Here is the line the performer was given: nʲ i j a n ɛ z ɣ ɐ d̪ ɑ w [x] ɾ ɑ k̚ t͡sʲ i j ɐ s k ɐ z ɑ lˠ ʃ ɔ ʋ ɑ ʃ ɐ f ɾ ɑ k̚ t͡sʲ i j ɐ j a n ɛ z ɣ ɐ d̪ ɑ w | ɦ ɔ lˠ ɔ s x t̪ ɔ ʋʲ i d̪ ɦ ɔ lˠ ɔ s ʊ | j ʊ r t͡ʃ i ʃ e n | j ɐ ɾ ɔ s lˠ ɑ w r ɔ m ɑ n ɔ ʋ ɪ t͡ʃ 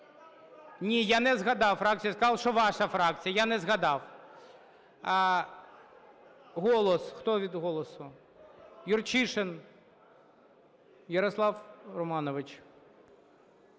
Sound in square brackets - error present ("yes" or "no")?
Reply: yes